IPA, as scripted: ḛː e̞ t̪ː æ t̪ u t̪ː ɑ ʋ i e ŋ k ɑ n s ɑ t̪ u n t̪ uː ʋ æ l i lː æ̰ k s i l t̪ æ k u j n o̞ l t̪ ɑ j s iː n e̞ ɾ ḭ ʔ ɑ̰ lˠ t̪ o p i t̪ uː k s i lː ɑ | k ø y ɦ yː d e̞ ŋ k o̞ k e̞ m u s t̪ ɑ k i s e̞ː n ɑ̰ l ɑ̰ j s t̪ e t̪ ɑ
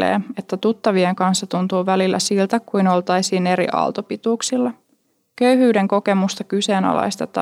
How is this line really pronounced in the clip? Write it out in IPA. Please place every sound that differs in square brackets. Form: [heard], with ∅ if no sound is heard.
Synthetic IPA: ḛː e̞ t̪ː æ t̪ u t̪ː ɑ ʋ i e ŋ k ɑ n [sː] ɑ t̪ u n t̪ uː ʋ æ l i lː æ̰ [∅] s i l t̪ æ k u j n o̞ l t̪ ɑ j s iː n e̞ ɾ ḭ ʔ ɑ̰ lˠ t̪ o p i t̪ uː k s i lː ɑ | k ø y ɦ yː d e̞ ŋ k o̞ k e̞ m u s t̪ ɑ k [y] s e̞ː n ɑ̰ l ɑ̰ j s t̪ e t̪ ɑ